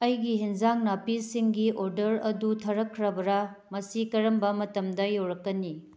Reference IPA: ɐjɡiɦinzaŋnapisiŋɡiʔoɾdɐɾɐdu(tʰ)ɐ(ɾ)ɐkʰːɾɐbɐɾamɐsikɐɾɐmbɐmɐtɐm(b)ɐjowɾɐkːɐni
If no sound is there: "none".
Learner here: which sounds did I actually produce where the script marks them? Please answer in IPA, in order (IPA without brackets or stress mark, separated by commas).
tʰ, ɾ, d